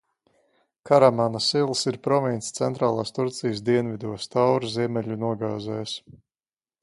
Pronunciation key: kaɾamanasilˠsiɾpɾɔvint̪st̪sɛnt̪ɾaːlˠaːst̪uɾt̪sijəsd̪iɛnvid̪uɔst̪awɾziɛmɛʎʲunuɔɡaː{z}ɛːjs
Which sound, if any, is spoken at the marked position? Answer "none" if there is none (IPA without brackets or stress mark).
z